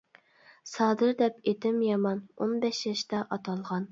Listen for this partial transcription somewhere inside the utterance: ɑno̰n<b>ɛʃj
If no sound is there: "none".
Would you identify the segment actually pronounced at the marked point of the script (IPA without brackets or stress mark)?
b